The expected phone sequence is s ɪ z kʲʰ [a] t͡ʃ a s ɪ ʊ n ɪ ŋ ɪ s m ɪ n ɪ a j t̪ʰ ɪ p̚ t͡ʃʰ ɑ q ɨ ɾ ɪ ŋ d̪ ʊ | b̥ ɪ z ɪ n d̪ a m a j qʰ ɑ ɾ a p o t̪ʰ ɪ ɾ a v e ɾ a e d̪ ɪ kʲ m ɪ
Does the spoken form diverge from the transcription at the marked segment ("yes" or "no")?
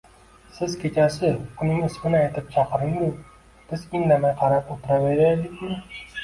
yes